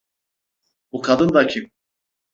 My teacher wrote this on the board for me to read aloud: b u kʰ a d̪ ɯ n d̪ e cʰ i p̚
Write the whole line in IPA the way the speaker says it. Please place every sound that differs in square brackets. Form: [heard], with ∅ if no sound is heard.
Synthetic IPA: b u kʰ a d̪ ɯ n d̪ [a] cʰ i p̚